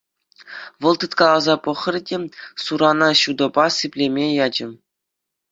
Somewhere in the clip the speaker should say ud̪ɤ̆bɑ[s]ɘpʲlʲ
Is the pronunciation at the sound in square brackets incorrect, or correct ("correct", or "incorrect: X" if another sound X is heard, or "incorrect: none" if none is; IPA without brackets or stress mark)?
correct